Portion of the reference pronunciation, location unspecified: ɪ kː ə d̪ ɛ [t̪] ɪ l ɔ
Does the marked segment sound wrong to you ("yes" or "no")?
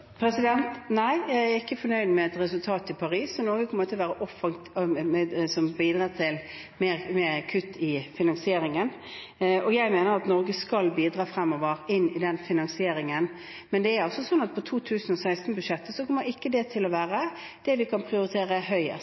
yes